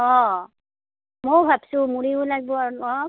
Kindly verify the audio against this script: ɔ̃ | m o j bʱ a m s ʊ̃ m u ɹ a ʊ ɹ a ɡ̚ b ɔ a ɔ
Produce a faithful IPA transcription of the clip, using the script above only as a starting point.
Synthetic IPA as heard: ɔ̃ | m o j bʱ a b s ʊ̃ m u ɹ i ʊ l a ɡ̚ b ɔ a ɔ

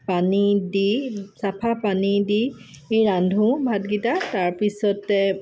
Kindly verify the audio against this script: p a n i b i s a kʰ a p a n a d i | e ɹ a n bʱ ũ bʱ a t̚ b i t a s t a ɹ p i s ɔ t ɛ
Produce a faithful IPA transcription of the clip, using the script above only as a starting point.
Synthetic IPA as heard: p a n i d i s a pʰ a p a n i d i | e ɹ a n dʱ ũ bʱ a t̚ ɡ i t a t a ɹ p i s ɔ t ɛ

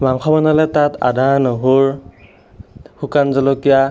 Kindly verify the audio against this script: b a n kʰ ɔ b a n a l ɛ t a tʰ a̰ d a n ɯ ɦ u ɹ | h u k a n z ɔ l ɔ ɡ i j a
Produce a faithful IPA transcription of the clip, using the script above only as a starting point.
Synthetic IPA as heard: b a ŋ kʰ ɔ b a n a l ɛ t a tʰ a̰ d a n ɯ ɦ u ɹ | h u k a n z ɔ l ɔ k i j a

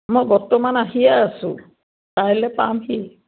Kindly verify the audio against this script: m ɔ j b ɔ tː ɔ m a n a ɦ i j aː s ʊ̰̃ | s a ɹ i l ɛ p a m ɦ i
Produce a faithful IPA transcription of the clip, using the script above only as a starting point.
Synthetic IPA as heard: m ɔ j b ɔ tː ɔ m a n a ɦ i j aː s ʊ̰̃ | t a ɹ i l ɛ p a m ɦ i

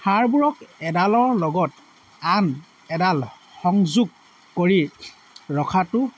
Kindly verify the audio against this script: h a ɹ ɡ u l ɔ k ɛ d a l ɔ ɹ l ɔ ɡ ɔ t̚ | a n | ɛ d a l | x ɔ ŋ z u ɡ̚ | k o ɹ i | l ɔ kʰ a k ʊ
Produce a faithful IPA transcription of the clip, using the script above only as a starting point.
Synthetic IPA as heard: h a ɹ b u ɹ ɔ k ɛ d a l ɔ ɹ l ɔ ɡ ɔ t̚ | a n | ɛ d a l | x ɔ ŋ z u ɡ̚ | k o ɹ i | ɹ ɔ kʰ a t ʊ

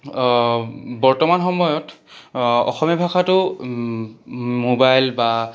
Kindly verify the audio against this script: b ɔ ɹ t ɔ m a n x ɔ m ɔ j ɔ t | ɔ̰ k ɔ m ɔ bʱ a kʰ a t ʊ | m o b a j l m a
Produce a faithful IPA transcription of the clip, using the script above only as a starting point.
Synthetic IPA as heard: b ɔ ɹ t ɔ m a n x ɔ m ɔ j ɔ t | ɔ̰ x ɔ m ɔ bʱ a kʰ a t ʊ | m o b a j l b a

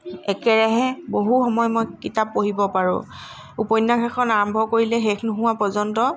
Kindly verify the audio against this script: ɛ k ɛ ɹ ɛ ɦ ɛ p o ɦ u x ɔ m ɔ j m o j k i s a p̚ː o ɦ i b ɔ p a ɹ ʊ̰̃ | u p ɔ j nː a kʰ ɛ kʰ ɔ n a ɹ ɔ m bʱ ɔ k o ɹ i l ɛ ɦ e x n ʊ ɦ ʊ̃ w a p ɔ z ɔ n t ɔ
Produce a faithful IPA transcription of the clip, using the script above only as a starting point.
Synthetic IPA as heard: ɛ k ɛ ɹ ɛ ɦ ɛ b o ɦ u x ɔ m ɔ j m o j k i t a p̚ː o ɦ i b ɔ p a ɹ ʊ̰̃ | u p ɔ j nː a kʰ ɛ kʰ ɔ n a ɹ ɔ m bʱ ɔ k o ɹ i l ɛ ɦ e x n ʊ ɦ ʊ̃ w a p ɔ z ɔ n t ɔ

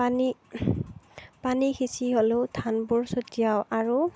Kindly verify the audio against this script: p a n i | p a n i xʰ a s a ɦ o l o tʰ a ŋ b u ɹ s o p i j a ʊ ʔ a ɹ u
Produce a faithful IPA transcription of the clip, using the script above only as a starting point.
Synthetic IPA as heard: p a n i | p a n i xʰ i s i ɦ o l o tʰ a n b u ɹ s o t i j a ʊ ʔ a ɹ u

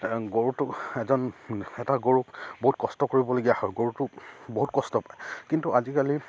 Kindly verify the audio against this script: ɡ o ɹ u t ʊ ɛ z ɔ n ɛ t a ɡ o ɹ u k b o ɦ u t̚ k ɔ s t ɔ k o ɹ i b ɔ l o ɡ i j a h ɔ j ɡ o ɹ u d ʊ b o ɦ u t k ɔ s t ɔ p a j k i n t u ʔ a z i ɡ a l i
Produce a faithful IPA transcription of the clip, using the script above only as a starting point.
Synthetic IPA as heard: ɡ o ɹ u t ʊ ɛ z ɔ n ɛ t a ɡ o ɹ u k b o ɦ u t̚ k ɔ s t ɔ k o ɹ i b ɔ l o ɡ i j a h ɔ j ɡ o ɹ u t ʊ b o ɦ u t k ɔ s t ɔ p a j k i n t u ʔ a z i k a l i

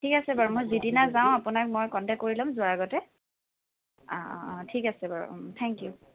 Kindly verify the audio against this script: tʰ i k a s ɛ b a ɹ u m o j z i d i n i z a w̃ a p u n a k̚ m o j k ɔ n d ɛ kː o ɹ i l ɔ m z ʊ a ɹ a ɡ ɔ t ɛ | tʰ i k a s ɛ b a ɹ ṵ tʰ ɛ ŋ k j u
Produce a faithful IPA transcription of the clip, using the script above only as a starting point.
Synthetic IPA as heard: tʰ i k a s ɛ b a ɹ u m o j z i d i n a z a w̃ a p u n a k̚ m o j k ɔ n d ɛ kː o ɹ i l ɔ m z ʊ a ɹ a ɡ ɔ t ɛ | tʰ i k a s ɛ b a ɹ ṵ tʰ ɛ ŋ k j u

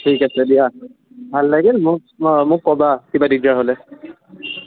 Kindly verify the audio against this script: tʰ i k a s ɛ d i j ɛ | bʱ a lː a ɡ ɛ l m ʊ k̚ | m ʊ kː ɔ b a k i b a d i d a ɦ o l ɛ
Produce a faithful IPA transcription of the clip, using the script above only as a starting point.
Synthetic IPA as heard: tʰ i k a s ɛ d i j a | bʱ a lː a ɡ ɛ l m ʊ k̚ | m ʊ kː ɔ b a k i b a d i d a ɦ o l ɛ

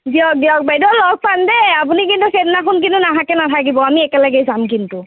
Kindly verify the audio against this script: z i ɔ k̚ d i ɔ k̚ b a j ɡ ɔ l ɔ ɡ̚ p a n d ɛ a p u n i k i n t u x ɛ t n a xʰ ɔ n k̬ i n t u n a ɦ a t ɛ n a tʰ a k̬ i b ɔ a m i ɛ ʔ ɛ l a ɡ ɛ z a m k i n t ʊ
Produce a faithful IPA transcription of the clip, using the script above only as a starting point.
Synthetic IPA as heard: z i ɔ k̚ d i ɔ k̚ b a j d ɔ l ɔ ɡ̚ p a n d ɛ a p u n i k i n t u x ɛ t n a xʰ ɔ n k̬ i n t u n a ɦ a k ɛ n a tʰ a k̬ i b ɔ a m i ɛ k ɛ l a ɡ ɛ z a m k i n t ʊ

